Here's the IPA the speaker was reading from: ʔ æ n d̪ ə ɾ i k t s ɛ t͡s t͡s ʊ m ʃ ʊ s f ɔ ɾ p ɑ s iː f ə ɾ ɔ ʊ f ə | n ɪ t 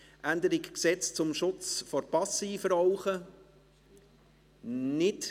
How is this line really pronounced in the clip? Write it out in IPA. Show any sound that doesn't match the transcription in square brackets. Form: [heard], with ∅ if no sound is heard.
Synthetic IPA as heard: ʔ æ n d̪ ə ɾ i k [k] s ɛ t͡s t͡s ʊ m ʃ ʊ [t͡s] f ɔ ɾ p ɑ s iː f ə ɾ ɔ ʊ [χ] ə | n ɪ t